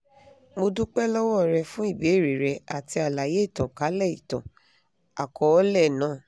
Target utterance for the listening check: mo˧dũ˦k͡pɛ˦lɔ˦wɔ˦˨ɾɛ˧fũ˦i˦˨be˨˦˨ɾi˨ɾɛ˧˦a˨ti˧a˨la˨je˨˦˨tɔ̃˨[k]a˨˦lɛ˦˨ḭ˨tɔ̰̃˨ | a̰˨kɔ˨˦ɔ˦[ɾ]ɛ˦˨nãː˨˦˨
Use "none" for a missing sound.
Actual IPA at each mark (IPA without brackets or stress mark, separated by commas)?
k, l